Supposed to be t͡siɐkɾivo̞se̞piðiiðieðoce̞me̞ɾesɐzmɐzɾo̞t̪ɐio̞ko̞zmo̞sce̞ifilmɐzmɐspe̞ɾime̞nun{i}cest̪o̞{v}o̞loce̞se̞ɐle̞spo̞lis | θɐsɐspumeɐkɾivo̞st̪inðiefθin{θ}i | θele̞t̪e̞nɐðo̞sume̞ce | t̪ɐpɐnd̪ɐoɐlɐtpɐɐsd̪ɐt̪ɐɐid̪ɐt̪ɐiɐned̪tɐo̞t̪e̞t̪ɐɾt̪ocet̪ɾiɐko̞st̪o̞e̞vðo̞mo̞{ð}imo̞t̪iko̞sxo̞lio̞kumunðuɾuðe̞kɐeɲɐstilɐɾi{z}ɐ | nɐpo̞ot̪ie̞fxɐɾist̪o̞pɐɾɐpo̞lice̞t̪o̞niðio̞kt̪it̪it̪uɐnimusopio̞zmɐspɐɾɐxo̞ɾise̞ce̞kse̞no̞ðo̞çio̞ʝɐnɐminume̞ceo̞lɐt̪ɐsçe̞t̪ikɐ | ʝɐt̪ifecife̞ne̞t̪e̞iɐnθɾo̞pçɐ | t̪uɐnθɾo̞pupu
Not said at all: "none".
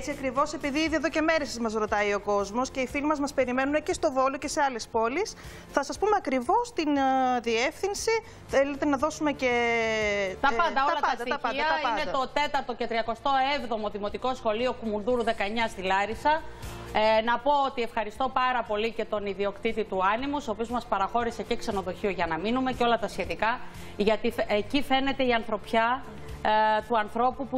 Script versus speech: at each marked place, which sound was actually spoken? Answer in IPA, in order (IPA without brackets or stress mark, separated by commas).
e, v, s, ð, s